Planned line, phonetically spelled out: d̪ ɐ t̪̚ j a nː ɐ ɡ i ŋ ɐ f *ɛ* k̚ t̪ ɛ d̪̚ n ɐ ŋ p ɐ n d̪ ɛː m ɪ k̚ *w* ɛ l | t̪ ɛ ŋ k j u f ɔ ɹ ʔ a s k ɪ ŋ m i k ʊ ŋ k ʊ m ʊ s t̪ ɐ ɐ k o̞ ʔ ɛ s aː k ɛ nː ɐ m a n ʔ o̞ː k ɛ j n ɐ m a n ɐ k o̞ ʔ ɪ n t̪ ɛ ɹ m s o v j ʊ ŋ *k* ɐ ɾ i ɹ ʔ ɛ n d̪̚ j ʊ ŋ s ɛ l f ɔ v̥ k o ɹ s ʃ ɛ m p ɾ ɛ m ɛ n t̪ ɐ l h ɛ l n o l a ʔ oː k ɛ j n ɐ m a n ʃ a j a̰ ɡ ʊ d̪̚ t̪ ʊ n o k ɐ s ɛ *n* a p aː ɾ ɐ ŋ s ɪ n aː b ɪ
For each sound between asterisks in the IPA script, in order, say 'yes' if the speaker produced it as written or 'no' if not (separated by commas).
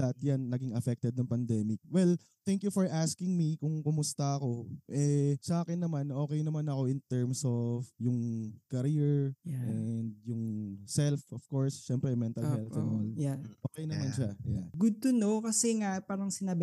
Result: yes, yes, yes, no